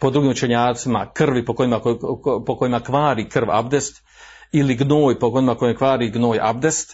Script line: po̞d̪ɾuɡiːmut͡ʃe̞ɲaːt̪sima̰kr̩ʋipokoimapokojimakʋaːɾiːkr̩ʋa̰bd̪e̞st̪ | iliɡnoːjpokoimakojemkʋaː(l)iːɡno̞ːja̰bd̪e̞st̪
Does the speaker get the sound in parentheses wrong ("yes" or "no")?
yes